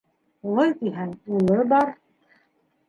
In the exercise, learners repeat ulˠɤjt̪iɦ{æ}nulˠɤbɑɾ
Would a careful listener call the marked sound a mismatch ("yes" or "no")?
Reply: no